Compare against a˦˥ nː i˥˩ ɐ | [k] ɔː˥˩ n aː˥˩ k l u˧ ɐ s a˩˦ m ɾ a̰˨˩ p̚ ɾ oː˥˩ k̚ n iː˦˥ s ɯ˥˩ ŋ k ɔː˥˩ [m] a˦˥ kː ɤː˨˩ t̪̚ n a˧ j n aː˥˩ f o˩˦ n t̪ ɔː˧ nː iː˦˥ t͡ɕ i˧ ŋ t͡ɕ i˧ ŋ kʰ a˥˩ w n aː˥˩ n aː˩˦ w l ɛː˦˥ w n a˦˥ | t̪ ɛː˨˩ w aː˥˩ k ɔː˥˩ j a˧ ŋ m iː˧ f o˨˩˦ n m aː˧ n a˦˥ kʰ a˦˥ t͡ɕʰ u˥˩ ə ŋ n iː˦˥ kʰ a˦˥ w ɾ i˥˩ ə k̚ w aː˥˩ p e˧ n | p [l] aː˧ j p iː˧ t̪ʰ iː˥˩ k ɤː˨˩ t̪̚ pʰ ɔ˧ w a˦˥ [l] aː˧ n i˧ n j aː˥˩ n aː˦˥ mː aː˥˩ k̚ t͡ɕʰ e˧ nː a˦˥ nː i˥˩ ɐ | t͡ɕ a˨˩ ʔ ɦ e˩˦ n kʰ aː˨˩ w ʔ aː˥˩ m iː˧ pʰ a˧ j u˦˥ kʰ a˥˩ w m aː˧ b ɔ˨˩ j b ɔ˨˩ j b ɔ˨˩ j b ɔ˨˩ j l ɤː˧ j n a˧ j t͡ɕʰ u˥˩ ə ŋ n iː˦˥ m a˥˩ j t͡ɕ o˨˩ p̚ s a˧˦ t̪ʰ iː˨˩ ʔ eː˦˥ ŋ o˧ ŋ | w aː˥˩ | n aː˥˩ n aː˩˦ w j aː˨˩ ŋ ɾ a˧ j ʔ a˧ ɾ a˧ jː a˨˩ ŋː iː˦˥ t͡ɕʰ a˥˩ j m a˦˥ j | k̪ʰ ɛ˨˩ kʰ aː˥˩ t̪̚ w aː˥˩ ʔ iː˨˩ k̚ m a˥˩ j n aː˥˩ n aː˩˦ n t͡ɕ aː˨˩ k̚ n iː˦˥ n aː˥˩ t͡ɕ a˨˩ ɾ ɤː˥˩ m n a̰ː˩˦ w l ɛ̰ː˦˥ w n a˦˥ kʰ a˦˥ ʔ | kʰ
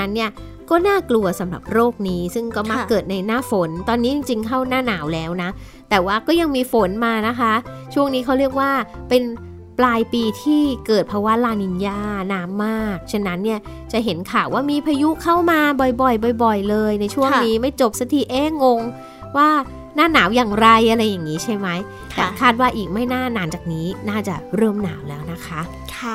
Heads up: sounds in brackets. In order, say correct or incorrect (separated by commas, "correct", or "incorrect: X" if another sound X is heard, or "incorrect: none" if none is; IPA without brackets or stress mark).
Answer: correct, correct, correct, correct